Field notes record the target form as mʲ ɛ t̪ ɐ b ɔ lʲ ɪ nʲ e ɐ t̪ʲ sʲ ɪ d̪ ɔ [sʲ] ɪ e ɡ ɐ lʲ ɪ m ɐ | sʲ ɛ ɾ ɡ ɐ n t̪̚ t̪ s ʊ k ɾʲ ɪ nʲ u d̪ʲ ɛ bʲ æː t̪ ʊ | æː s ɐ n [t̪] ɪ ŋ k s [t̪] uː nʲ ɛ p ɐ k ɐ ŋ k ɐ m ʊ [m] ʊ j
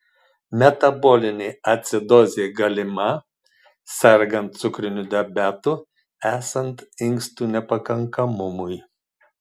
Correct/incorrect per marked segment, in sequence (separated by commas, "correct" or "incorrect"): incorrect, correct, correct, correct